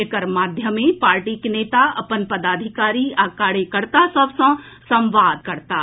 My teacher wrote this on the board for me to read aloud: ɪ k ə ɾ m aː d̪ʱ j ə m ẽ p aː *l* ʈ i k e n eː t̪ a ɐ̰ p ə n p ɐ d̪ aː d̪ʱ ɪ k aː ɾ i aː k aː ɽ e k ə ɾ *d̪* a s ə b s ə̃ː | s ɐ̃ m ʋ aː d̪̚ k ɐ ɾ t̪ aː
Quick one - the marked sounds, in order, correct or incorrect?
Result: incorrect: ɾ, incorrect: t̪

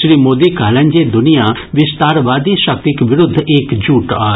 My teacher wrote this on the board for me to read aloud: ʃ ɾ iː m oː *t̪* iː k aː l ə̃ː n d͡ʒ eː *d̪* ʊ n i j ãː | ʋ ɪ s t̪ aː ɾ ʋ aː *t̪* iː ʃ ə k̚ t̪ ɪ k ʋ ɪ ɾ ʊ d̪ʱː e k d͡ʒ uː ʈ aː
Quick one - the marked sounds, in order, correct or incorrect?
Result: incorrect: d̪, correct, incorrect: d̪

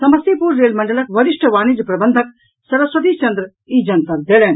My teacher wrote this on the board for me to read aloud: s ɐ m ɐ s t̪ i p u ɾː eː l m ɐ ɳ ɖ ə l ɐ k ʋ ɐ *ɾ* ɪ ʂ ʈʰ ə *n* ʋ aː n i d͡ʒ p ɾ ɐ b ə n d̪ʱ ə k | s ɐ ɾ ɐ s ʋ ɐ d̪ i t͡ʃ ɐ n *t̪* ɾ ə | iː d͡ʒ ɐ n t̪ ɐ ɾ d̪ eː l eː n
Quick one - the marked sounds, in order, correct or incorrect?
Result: correct, incorrect: none, incorrect: d̪

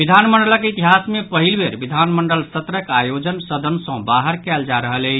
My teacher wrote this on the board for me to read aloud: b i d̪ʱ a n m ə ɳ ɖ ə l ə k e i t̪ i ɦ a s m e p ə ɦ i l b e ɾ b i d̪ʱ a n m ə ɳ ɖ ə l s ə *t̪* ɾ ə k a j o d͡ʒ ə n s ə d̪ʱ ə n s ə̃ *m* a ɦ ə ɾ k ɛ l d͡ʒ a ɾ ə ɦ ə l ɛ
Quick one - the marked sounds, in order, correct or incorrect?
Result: correct, incorrect: b

